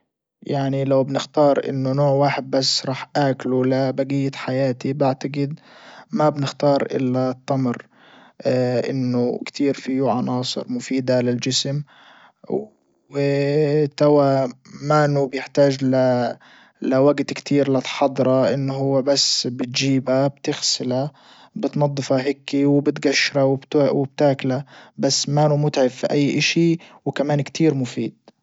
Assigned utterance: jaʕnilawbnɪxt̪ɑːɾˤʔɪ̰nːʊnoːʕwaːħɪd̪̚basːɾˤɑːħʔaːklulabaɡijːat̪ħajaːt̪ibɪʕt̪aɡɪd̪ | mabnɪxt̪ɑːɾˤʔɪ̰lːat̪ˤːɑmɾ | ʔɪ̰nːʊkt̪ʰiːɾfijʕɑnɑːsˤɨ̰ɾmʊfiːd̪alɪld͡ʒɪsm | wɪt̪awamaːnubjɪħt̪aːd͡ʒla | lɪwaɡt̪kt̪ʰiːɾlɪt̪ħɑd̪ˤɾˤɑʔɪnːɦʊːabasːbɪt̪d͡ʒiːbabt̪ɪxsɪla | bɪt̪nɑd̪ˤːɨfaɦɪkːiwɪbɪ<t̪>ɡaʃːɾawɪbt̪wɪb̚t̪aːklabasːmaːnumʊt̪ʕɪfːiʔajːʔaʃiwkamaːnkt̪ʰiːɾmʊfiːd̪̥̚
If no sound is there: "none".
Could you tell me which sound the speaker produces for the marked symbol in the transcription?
t̪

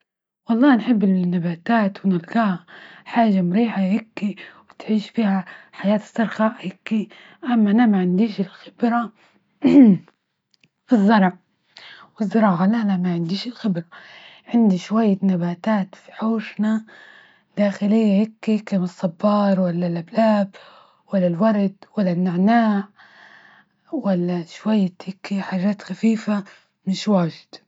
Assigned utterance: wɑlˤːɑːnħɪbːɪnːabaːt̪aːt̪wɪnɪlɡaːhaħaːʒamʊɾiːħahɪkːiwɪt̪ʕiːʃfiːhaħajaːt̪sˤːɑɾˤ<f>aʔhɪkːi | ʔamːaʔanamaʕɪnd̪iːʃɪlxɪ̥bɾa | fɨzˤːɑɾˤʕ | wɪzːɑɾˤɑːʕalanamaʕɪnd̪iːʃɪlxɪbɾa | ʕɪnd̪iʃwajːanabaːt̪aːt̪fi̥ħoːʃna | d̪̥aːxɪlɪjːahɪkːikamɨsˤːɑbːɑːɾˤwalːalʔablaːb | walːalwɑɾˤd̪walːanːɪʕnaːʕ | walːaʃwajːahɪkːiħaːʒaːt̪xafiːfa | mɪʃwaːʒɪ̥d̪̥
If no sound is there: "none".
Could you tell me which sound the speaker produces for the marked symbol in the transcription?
x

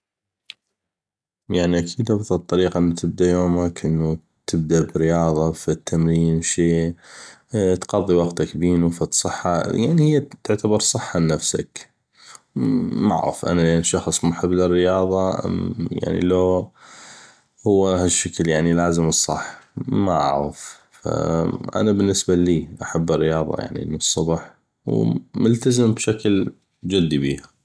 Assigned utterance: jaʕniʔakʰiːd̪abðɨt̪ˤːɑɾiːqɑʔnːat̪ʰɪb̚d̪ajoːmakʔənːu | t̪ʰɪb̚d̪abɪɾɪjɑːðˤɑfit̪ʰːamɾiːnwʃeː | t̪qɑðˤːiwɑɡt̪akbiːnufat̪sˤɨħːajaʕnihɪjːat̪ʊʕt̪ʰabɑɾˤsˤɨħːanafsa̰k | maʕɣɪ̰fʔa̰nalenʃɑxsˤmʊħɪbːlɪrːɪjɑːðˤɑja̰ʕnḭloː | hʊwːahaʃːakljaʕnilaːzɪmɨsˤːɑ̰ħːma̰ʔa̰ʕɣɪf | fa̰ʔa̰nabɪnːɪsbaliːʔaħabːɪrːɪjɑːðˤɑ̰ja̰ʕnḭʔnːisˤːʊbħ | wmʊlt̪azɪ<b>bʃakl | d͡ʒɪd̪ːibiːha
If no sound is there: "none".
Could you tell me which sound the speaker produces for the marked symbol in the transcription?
m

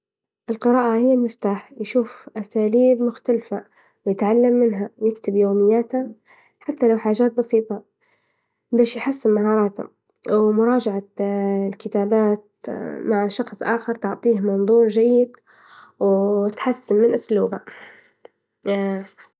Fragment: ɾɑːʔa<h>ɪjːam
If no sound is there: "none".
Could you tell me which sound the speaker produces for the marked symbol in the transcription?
h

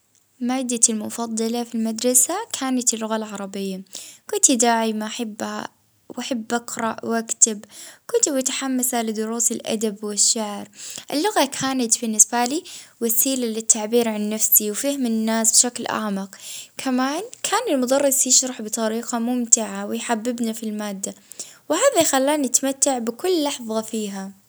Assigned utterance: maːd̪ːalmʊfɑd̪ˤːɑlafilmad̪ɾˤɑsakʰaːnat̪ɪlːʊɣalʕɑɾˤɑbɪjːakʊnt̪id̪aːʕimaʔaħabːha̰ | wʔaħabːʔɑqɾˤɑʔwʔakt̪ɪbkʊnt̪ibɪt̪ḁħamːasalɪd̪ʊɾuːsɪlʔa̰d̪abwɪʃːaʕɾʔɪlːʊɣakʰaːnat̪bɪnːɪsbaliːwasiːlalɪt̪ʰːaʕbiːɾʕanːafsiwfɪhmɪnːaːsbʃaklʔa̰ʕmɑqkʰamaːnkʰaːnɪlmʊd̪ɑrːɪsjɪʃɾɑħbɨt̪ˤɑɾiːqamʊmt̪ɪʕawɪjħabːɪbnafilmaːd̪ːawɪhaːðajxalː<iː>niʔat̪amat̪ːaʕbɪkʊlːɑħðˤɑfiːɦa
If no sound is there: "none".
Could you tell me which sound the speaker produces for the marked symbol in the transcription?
aː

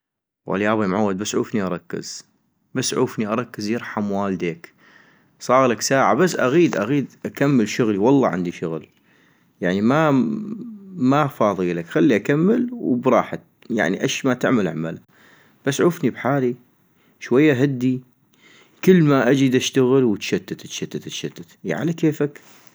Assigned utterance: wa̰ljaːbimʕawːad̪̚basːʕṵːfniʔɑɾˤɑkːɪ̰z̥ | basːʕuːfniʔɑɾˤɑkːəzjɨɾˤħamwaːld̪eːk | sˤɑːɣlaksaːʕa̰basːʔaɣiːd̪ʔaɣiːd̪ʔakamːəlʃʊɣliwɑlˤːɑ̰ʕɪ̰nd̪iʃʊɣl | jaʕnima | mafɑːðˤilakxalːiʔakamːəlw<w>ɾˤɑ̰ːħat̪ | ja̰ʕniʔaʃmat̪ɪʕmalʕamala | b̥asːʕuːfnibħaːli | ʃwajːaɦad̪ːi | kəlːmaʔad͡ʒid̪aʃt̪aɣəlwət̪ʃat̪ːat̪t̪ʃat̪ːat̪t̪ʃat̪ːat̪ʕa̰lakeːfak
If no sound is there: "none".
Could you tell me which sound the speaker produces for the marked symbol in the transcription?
b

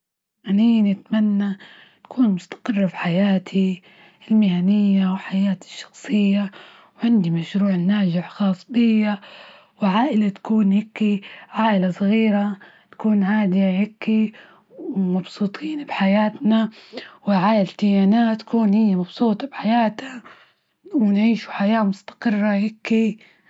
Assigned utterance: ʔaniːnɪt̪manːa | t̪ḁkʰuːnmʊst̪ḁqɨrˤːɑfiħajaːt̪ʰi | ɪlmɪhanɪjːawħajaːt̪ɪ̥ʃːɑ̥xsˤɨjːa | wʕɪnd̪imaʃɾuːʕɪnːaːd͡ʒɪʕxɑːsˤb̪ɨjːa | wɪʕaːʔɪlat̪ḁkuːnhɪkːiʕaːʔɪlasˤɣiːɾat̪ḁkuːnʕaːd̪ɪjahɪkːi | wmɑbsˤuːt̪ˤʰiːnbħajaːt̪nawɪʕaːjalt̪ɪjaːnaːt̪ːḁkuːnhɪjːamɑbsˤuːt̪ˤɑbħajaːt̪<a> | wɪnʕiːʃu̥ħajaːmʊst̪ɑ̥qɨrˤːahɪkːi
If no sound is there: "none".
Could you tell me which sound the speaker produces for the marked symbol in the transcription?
a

